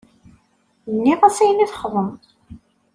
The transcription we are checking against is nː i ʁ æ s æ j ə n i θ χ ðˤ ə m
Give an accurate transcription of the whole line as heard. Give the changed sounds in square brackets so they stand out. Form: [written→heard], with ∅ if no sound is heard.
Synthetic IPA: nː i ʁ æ s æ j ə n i θ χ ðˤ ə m